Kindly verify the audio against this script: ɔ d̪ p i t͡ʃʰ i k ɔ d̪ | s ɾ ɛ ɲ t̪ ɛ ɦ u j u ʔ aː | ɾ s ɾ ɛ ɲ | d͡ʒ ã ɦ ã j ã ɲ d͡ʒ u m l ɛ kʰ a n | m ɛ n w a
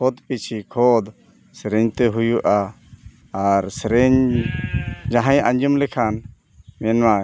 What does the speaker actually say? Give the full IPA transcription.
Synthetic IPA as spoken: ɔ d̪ p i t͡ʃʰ i kʰ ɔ d̪ | s ɾ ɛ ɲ t̪ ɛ ɦ u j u ʔ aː | ɾ s ɾ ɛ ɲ | d͡ʒ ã ɦ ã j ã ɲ d͡ʒ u m l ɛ kʰ a n | m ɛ n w a